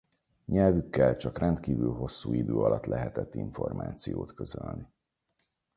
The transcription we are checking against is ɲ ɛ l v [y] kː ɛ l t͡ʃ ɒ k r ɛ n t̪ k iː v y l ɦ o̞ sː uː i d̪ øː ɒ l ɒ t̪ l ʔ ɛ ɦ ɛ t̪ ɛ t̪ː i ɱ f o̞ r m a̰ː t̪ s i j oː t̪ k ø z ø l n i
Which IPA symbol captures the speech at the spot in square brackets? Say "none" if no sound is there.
y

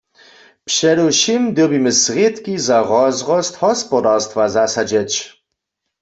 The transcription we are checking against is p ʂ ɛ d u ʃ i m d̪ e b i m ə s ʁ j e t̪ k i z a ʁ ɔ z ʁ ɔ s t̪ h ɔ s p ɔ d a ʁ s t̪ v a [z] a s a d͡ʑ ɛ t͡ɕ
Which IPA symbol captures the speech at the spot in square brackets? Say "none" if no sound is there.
z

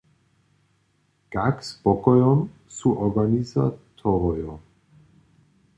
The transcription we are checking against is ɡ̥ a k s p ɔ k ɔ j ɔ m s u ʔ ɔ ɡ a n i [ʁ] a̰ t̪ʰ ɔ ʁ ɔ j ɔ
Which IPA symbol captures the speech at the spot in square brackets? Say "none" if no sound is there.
z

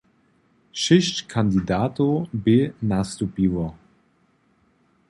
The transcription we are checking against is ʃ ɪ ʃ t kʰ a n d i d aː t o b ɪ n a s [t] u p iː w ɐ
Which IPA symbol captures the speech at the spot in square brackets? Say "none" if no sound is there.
t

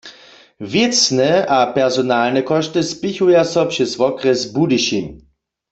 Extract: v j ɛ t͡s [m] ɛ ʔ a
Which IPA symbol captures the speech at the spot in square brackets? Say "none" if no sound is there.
n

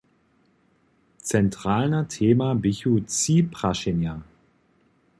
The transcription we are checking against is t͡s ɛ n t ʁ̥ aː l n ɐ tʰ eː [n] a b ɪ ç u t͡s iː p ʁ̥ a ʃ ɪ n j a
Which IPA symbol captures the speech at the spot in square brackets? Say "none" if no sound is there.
m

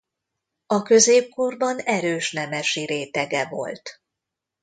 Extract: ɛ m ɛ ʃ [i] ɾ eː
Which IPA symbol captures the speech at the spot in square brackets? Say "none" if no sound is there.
i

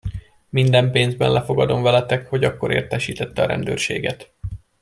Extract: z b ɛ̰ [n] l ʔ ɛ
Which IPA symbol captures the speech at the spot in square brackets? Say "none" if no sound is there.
n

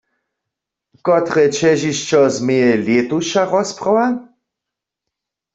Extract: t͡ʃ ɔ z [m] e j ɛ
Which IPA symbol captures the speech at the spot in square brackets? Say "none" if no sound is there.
m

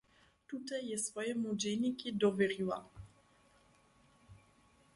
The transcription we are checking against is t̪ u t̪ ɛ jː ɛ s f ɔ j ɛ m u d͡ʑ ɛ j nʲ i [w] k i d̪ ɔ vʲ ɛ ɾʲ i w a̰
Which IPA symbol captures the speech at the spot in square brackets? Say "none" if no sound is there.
none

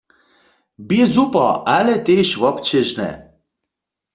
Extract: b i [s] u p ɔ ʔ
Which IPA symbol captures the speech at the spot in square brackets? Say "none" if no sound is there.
z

